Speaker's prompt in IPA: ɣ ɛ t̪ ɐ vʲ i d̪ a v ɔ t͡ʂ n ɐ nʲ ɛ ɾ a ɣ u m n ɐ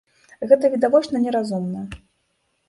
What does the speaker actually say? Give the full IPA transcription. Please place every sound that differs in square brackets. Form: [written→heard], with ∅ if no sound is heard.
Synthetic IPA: ɣ ɛ t̪ ɐ vʲ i d̪ a v ɔ t͡ʂ n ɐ nʲ ɛ ɾ a [ɣ→z] u m n ɐ